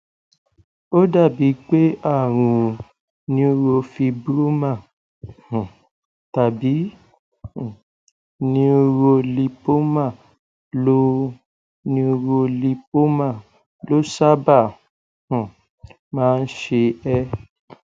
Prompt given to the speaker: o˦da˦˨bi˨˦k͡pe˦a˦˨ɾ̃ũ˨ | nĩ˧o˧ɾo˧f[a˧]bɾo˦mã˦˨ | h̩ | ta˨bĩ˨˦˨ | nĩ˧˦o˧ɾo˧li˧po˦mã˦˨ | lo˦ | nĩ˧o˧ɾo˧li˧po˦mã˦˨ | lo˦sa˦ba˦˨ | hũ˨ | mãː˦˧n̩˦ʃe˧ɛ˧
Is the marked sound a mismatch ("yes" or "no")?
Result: yes